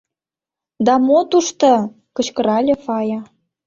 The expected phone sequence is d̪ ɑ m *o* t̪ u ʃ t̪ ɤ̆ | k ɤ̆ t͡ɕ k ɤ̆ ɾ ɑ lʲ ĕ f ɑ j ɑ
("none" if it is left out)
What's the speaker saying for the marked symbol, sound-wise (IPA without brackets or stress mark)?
o